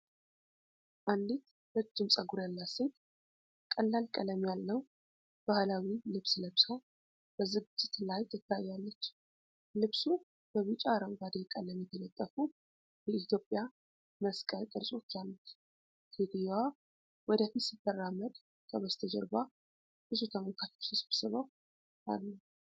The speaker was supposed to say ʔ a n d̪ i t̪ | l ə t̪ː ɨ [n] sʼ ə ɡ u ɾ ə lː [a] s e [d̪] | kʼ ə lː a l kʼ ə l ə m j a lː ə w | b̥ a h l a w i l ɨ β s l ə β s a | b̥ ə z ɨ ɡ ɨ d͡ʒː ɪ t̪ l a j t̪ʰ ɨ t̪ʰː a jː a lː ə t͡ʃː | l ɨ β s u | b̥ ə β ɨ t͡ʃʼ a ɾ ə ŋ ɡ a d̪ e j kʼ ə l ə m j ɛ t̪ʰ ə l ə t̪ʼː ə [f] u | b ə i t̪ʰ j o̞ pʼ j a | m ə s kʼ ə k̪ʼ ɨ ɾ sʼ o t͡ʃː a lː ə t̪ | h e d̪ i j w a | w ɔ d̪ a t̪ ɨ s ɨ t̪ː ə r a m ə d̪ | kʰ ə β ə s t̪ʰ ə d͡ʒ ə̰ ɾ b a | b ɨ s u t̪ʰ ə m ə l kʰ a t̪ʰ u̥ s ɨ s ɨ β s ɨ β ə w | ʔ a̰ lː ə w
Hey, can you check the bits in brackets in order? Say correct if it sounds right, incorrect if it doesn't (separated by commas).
incorrect, correct, incorrect, correct